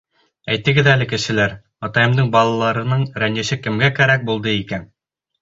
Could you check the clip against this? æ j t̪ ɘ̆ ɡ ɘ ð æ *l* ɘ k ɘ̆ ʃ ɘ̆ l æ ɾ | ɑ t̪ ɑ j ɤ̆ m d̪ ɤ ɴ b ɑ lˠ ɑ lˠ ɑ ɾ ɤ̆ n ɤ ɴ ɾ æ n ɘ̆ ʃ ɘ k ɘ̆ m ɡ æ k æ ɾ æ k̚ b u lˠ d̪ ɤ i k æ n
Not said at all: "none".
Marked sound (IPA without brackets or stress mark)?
l